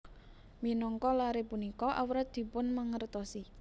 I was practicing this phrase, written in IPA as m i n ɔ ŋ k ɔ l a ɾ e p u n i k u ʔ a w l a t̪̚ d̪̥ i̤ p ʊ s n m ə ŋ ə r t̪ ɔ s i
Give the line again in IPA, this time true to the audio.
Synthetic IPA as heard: m i n ɔ ŋ k ɔ l a ɾ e p u n i k ɔ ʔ a w ɾ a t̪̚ d̪̥ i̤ p ʊ n m ə ŋ ə r t̪ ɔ s i